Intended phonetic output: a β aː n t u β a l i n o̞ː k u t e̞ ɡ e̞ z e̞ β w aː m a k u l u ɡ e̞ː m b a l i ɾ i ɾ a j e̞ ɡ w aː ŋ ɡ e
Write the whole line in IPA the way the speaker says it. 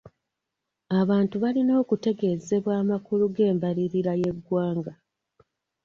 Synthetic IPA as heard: a β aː n t u β a l i n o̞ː k u t e̞ ɡ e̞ z e̞ β w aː m a k u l u ɡ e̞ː m b a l i ɾ i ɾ a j e̞ ɡ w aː ŋ ɡ a